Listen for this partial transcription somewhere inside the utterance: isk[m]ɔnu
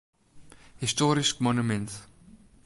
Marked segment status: correct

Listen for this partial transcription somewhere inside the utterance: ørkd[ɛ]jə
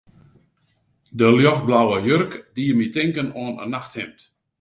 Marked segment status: incorrect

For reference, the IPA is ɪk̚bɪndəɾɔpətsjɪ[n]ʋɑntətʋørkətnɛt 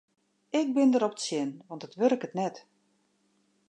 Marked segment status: correct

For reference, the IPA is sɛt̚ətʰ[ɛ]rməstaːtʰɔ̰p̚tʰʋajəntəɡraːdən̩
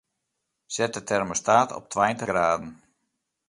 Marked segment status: correct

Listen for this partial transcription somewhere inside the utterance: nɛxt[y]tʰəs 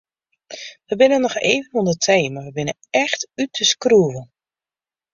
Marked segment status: correct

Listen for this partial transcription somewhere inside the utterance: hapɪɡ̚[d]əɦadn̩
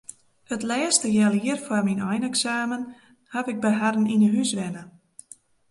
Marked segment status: incorrect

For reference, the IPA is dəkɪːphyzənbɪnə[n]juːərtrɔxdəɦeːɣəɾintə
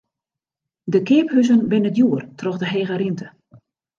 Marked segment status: incorrect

